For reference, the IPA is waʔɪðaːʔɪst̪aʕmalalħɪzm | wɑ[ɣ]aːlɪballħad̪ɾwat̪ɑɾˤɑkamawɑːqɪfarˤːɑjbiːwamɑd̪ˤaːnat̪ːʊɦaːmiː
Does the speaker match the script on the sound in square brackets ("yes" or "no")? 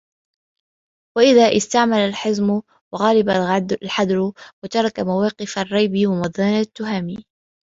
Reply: yes